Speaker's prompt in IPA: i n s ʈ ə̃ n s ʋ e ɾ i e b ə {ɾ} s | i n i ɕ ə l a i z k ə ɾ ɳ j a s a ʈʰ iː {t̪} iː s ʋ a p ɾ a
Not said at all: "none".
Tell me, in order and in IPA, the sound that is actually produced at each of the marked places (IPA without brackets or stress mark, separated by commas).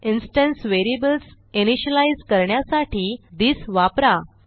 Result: l, d̪